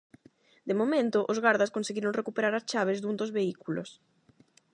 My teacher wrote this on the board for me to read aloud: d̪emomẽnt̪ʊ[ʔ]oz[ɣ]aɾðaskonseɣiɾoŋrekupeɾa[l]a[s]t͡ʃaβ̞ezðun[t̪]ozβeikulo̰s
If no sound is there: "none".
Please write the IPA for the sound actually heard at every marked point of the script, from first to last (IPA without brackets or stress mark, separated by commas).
ʔ, ɣ, ɾ, s, d̪